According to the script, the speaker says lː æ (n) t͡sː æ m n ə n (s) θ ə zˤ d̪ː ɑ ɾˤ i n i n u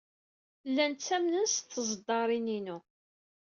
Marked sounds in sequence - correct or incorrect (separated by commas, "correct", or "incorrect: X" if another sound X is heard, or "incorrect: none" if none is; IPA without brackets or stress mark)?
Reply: correct, correct